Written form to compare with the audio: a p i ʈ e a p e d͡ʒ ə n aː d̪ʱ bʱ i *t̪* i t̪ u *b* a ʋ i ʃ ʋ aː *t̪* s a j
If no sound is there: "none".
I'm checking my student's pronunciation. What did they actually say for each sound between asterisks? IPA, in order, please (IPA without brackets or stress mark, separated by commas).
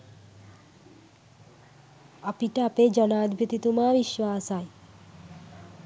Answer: t̪, m, none